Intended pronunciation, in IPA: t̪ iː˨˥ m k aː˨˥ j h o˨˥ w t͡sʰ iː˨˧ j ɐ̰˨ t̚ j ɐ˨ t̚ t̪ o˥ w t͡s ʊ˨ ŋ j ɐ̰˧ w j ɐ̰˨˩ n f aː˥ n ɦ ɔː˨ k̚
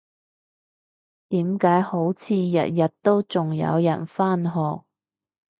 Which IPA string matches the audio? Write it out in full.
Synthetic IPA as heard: t̪ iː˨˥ m k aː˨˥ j h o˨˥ w t͡sʰ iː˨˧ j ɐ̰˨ t̚ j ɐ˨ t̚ t̪ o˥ w t͡s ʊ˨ ŋ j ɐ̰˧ w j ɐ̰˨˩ n f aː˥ n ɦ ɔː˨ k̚